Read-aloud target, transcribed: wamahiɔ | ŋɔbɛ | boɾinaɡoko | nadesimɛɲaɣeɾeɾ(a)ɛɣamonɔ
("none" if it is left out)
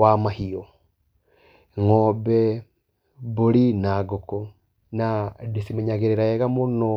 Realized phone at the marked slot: a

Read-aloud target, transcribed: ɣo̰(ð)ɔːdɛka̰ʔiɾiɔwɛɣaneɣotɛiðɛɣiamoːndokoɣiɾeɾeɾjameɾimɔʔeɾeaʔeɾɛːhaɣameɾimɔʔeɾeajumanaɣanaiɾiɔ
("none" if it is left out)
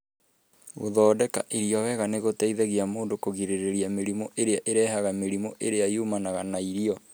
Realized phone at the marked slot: ð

